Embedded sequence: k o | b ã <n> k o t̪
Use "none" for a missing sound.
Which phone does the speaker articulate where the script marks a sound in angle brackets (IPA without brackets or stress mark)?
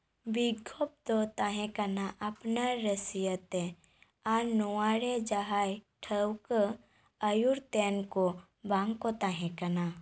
ŋ